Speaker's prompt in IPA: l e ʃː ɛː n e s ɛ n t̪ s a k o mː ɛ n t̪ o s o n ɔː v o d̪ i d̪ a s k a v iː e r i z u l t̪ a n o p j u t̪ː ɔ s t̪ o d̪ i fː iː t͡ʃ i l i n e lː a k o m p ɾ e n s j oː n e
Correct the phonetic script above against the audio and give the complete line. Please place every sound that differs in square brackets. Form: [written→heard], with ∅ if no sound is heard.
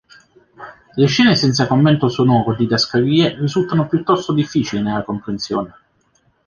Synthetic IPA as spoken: l e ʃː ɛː n e s ɛ n t̪ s a k o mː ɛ n t̪ o s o n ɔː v o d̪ i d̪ a s k a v iː e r i z u l t̪ a n o p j u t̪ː ɔ s t̪ o d̪ i fː iː t͡ʃ i l i n e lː a k o m p ɾ e n s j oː n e